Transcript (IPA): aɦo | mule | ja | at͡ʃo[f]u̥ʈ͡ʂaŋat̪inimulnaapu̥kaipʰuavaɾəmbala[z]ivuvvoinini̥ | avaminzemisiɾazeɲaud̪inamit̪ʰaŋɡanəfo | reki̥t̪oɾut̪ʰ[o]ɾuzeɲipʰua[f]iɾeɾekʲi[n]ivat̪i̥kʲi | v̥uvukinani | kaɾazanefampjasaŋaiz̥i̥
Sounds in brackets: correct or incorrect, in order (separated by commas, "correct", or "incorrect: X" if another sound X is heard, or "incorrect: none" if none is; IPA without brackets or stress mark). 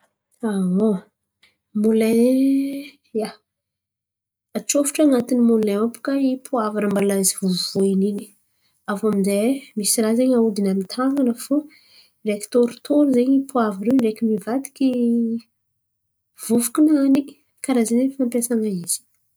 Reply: correct, correct, correct, incorrect: v, incorrect: m